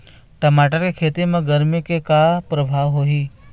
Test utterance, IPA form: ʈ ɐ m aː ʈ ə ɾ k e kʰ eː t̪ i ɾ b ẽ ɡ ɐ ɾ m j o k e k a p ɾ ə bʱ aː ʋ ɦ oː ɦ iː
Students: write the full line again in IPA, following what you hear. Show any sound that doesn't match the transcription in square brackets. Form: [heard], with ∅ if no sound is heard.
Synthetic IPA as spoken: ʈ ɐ m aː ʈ ə ɾ k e kʰ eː t̪ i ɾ [m] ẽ ɡ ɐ ɾ m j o k e k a p ɾ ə bʱ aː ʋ ɦ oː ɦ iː